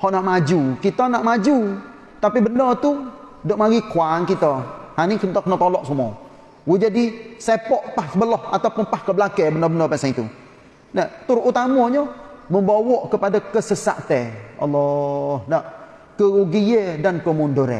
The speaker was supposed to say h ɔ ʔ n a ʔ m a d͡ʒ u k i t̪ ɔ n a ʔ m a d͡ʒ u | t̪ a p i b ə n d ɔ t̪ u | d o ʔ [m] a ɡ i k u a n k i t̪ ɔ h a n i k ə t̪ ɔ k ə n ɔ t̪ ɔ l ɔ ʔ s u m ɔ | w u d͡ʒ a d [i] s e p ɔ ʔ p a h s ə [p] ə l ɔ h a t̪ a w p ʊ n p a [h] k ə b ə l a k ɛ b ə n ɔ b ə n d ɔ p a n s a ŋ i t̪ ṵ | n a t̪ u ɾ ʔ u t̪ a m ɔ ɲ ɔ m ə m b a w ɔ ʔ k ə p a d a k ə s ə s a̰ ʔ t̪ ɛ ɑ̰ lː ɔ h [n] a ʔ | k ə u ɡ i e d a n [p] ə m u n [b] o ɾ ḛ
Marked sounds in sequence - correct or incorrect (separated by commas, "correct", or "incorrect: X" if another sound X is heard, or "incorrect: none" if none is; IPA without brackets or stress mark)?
correct, correct, incorrect: b, correct, correct, incorrect: k, incorrect: d